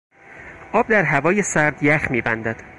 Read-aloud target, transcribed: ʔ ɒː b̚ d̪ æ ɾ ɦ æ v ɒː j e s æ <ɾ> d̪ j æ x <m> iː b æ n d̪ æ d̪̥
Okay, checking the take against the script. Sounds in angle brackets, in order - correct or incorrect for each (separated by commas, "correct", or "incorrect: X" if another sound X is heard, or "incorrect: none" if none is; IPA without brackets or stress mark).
correct, correct